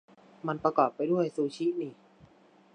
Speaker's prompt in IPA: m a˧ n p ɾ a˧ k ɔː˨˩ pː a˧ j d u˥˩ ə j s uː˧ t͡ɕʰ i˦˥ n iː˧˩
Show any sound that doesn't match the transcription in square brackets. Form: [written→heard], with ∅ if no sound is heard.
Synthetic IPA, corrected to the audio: m a˧ n p ɾ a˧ k ɔː˨˩ pː a˧ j d u˥˩ ə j s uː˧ t͡ɕʰ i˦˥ n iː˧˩